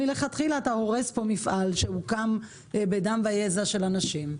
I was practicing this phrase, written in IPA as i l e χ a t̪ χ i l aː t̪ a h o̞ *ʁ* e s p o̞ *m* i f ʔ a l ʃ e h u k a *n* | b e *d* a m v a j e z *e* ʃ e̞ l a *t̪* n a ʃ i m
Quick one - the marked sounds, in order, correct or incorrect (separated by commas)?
correct, correct, incorrect, correct, incorrect, incorrect